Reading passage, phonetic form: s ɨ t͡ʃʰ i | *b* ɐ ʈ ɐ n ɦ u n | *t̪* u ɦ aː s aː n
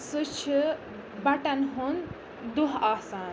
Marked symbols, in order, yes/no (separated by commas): yes, no